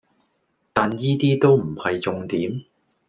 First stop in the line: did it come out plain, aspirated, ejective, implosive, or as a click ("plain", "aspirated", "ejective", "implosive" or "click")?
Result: plain